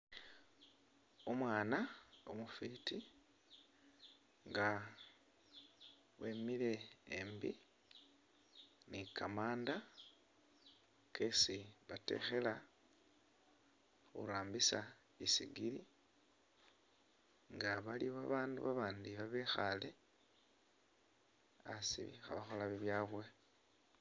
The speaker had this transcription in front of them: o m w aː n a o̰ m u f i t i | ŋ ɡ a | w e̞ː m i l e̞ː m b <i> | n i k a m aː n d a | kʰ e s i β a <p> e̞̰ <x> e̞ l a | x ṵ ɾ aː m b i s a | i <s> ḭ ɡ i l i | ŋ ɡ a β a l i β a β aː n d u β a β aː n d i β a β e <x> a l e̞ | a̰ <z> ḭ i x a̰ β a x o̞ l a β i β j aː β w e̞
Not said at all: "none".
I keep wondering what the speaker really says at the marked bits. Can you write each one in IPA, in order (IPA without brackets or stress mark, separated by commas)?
i, t, x, s, x, s